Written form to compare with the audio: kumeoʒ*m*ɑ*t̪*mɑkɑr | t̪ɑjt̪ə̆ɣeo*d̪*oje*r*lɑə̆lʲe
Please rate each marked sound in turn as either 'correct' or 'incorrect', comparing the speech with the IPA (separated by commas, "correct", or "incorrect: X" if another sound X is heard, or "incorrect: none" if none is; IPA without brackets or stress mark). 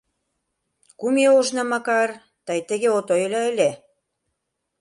incorrect: n, incorrect: none, incorrect: t̪, incorrect: none